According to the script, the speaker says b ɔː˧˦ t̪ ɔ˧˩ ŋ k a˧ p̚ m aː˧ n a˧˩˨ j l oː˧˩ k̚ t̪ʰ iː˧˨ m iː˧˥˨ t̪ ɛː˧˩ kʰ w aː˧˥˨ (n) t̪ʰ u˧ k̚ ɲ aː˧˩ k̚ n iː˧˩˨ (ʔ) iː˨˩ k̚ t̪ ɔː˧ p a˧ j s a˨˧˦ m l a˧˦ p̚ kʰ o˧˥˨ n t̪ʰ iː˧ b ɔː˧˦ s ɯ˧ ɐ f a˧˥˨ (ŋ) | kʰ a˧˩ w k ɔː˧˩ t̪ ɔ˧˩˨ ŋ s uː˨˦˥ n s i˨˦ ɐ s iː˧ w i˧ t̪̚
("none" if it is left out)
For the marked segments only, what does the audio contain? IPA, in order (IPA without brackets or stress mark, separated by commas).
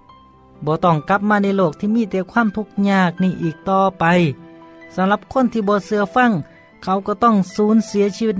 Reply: m, ʔ, ŋ